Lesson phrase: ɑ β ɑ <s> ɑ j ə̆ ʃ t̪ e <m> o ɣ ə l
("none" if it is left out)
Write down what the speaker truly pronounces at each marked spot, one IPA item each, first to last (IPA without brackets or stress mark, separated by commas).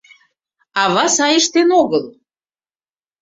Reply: s, n